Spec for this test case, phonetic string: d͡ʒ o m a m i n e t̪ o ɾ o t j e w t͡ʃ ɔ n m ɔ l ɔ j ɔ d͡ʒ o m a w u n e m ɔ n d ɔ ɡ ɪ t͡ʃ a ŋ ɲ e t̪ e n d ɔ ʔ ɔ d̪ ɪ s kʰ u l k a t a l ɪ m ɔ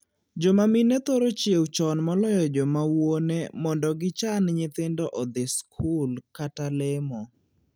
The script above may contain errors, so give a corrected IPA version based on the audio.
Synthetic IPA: d͡ʒ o m a m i n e t̪ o ɾ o t͡ʃ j e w t͡ʃ ɔ n m ɔ l ɔ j ɔ d͡ʒ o m a w o n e m ɔ n d ɔ ɡ ɪ t͡ʃ a n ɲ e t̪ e n d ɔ ʔ ɔ d̪ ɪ s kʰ u l k a t a l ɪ m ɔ

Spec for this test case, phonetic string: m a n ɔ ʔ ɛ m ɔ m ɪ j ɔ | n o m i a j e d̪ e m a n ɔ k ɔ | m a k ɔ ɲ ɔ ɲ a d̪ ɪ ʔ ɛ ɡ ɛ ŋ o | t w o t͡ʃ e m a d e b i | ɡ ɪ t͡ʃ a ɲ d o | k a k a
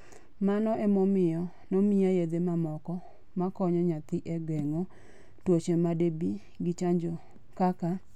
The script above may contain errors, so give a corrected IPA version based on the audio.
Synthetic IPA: m a n ɔ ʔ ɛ m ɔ m ɪ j ɔ | n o m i a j e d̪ e m a m ɔ k ɔ | m a k ɔ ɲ ɔ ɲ a t̪ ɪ ʔ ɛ ɡ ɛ ŋ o | t w o t͡ʃ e m a d e b i | ɡ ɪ t͡ʃ a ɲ d͡ʒ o | k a k a

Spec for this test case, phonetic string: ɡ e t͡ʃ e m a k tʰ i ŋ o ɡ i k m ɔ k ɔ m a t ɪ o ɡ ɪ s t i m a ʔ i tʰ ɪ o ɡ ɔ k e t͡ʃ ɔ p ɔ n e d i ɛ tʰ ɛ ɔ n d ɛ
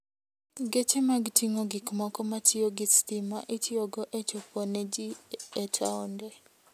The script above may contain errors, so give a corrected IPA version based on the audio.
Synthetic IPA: ɡ e t͡ʃ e m a ɡ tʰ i ŋ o ɡ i k m ɔ k ɔ m a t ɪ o ɡ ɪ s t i m a ʔ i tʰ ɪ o ɡ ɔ ʔ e t͡ʃ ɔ p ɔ n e d͡ʒ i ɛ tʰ a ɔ n d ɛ

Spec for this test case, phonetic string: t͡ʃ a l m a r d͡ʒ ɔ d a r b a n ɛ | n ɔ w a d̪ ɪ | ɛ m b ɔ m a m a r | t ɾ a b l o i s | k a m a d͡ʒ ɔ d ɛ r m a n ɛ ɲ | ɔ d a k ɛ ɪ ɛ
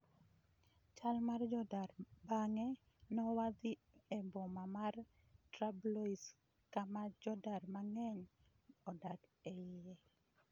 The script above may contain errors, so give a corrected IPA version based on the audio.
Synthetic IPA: t͡ʃ a l m a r d͡ʒ ɔ d a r b a ŋ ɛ | n ɔ w a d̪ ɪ | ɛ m b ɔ m a m a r | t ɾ a b l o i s | k a m a d͡ʒ ɔ d a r m a ŋ ɛ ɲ | ɔ d a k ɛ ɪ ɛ

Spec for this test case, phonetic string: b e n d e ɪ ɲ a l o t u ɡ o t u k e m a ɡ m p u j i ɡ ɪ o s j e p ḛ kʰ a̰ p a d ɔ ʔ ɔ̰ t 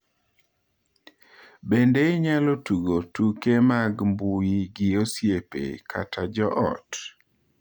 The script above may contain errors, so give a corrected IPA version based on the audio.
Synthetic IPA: b e n d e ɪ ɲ a l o t u ɡ o t u k e m a ɡ m b u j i ɡ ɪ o s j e p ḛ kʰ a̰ t a d͡ʒ ɔ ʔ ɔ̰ t

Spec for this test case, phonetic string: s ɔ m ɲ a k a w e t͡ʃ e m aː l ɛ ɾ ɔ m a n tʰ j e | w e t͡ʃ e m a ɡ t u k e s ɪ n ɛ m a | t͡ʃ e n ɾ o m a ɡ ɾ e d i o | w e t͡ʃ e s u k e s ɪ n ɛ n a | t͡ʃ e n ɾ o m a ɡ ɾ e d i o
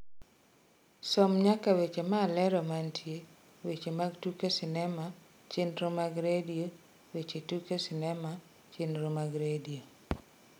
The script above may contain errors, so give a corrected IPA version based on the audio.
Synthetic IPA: s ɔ m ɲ a k a w e t͡ʃ e m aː l ɛ ɾ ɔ m a n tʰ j e | w e t͡ʃ e m a ɡ t u k e s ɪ n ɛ m a | t͡ʃ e n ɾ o m a ɡ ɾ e d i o | w e t͡ʃ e t u k e s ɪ n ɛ m a | t͡ʃ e n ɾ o m a ɡ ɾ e d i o

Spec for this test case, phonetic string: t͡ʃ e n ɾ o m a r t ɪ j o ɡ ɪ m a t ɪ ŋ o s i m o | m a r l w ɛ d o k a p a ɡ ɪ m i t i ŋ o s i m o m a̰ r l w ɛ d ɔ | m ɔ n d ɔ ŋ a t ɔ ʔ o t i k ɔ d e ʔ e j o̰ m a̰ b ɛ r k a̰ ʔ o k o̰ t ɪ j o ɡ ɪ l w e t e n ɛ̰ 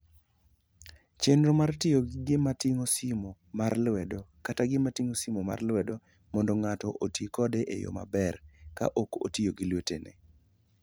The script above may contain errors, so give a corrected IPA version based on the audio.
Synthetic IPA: t͡ʃ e n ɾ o m a r t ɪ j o ɡ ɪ m a t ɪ ŋ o s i m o | m a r l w ɛ d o k a t a ɡ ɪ m a t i ŋ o s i m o m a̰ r l w ɛ d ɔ | m ɔ n d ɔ ŋ a t ɔ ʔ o t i k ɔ d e ʔ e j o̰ m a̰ b ɛ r k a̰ ʔ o k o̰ t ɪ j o ɡ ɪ l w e t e n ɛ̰

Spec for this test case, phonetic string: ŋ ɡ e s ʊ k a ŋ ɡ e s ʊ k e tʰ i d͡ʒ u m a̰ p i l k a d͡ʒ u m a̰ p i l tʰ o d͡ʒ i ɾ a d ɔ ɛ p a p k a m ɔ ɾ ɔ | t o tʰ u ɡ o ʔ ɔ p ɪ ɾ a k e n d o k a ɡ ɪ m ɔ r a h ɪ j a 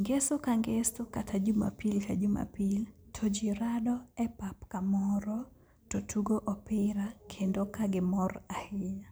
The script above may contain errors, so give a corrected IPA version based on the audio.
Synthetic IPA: ŋ ɡ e s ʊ k a ŋ ɡ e s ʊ k a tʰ a d͡ʒ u m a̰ p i l k a d͡ʒ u m a̰ p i l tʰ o d͡ʒ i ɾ a d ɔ ɛ p a p k a m ɔ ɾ ɔ | t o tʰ u ɡ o ʔ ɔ p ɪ ɾ a kʰ e n d o k a ɡ ɪ m ɔ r a h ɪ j a

